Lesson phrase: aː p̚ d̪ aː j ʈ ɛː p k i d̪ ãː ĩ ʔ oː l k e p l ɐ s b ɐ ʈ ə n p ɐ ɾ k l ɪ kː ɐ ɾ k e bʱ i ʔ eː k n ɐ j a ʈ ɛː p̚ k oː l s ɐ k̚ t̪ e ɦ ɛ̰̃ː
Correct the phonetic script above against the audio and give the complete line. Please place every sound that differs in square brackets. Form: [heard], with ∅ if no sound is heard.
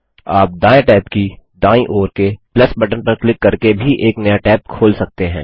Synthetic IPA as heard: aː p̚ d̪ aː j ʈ ɛː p k i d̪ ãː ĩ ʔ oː [ɾ] k e p l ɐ s b ɐ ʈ ə n p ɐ ɾ k l ɪ kː ɐ ɾ k e bʱ i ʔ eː k n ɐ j a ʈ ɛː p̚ [kʰ] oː l s ɐ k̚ t̪ e ɦ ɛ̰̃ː